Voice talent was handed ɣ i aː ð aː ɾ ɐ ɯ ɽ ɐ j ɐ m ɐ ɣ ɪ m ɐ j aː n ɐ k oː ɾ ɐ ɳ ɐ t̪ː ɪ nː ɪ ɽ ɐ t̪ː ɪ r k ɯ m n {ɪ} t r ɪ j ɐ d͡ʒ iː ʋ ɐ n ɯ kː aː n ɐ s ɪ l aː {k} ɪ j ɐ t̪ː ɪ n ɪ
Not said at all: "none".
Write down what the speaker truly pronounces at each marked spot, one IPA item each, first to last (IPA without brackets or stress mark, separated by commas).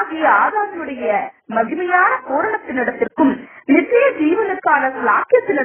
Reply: ɪ, k